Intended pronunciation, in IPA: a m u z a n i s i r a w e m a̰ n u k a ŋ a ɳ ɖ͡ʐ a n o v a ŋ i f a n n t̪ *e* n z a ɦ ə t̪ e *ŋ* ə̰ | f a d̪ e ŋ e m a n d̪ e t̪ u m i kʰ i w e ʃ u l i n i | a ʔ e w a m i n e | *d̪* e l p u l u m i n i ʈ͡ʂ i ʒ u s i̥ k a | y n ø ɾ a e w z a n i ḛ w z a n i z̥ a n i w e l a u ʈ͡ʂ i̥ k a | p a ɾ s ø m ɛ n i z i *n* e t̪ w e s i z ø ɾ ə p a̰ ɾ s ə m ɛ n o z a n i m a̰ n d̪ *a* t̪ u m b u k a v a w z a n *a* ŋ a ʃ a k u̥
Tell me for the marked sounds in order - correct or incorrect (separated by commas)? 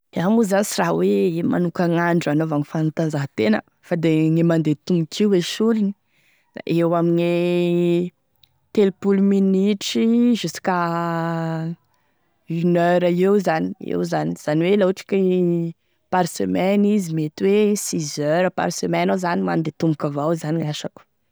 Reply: incorrect, incorrect, incorrect, incorrect, incorrect, incorrect